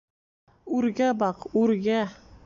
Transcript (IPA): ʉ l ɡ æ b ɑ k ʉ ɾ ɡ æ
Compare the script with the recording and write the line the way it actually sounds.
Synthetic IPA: ʉ ɾ ɡ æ b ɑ q ʉ ɾ ɡ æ